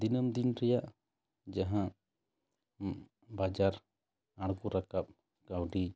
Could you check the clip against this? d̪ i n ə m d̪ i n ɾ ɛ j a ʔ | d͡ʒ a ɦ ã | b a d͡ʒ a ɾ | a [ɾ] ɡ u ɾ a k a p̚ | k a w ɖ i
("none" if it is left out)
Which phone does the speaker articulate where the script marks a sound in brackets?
ɽ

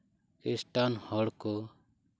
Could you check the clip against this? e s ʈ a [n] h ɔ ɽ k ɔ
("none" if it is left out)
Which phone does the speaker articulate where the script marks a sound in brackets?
n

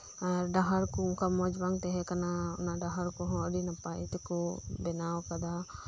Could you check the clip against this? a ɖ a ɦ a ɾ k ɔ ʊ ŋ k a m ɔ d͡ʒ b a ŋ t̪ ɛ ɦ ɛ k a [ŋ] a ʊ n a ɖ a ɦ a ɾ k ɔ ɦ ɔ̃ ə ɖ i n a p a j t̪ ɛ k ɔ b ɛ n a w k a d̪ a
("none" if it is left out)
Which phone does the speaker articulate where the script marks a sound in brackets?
n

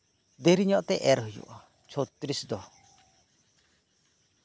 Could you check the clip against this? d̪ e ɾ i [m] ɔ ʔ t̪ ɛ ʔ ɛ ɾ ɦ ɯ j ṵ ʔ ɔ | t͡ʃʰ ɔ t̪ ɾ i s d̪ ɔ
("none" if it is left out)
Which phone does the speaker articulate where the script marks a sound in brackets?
ɲ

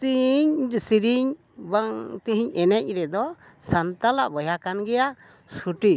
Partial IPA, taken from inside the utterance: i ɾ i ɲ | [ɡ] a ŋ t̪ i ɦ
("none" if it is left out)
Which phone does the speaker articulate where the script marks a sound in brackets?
b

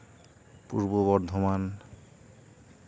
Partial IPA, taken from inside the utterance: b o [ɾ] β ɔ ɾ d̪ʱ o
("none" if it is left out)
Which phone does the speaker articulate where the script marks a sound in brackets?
none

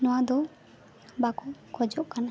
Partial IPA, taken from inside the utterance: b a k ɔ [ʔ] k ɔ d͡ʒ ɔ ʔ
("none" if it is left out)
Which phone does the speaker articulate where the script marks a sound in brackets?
none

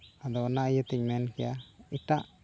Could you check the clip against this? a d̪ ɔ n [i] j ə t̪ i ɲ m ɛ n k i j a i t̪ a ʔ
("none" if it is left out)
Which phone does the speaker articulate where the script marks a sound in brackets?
a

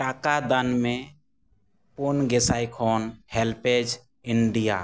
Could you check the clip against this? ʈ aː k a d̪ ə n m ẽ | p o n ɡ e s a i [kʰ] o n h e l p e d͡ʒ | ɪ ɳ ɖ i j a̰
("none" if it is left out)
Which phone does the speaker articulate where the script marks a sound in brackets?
kʰ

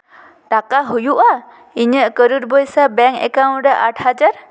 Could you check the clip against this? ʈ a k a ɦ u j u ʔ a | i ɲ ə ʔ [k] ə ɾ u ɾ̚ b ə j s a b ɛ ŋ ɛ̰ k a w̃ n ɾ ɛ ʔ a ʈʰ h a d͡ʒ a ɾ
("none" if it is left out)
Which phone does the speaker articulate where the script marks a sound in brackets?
k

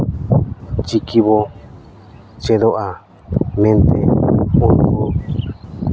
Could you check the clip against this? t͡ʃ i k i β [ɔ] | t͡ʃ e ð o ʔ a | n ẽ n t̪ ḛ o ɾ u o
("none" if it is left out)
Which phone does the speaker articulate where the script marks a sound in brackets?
o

